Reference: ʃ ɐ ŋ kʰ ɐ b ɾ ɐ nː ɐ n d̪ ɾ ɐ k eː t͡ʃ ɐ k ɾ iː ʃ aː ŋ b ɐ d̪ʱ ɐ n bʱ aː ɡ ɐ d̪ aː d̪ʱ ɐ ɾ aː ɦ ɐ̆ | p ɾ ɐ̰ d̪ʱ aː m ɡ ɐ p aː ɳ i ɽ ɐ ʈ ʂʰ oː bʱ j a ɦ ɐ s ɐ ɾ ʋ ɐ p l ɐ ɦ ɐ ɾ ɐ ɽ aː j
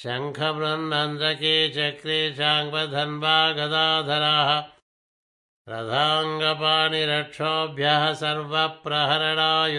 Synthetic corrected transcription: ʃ ɐ ŋ kʰ ɐ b ɾ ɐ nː ɐ n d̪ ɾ ɐ k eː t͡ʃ ɐ k ɾ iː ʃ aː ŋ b ɐ d̪ʱ ɐ n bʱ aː ɡ ɐ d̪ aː d̪ʱ ɐ ɾ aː ɦ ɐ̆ | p ɾ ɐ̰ d̪ʱ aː ŋ ɡ ɐ p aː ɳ i ɾ ɐ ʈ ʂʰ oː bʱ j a ɦ ɐ s ɐ ɾ ʋ ɐ p ɾ ɐ ɦ ɐ ɾ ɐ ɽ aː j